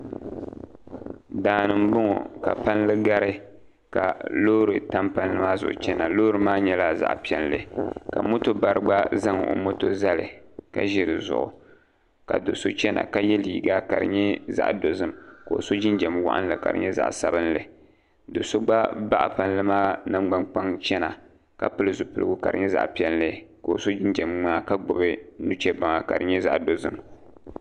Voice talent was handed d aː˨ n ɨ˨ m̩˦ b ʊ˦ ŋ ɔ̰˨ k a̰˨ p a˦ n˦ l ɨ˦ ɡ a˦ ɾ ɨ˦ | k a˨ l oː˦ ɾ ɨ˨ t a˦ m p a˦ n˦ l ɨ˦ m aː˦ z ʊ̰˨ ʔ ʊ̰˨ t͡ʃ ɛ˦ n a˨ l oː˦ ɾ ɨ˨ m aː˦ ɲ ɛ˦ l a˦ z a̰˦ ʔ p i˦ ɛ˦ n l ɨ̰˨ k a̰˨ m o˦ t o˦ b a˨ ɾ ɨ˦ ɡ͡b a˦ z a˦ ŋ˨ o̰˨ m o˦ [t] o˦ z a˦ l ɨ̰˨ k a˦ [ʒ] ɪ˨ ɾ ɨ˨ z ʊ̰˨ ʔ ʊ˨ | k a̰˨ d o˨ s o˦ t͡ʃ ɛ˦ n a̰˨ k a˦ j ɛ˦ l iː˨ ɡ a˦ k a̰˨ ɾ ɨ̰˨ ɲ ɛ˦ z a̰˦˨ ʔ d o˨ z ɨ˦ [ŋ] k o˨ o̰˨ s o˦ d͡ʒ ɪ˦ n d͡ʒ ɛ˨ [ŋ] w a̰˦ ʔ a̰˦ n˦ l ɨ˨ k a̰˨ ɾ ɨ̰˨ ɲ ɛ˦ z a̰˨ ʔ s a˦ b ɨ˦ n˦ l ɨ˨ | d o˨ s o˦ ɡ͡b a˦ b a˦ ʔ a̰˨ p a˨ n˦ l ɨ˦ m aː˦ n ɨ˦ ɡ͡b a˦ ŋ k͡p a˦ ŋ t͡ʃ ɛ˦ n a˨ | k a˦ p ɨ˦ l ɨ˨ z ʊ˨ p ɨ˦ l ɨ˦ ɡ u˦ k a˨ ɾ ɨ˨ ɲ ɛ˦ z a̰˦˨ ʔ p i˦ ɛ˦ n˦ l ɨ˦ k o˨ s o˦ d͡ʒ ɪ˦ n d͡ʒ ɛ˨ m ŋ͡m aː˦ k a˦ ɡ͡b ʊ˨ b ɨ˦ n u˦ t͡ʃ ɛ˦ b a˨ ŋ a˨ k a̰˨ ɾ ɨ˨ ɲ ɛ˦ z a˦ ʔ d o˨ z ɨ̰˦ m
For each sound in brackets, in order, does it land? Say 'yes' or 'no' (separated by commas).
yes, yes, no, no